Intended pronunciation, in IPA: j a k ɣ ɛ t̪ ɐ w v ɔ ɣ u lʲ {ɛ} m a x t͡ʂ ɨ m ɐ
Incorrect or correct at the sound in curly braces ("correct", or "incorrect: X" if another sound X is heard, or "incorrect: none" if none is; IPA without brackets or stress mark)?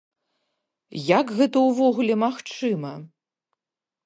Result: correct